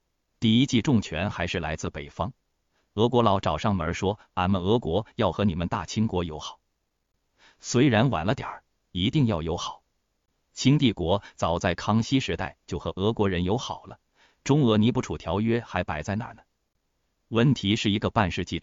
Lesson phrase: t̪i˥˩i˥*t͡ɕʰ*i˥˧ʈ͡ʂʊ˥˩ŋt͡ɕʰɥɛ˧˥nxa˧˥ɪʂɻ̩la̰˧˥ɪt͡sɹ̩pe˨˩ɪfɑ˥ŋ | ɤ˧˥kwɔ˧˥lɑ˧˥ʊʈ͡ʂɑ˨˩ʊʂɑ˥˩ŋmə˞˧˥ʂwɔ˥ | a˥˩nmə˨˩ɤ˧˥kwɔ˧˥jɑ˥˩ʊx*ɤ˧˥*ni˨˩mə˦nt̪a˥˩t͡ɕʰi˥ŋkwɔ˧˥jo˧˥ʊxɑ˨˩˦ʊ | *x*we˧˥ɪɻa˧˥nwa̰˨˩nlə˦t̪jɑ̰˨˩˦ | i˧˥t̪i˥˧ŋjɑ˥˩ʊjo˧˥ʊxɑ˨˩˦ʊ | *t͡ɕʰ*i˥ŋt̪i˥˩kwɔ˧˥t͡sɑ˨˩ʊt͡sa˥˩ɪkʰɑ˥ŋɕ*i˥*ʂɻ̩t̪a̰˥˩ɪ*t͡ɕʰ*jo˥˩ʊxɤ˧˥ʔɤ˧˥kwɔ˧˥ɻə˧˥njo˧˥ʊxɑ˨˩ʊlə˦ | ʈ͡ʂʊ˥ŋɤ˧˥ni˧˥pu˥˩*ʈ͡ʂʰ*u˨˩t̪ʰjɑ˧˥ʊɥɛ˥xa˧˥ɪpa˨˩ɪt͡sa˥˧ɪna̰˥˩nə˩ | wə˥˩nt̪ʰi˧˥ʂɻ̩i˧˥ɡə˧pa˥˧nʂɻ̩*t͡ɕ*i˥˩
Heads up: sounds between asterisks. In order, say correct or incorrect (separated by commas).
incorrect, correct, incorrect, correct, correct, incorrect, correct, correct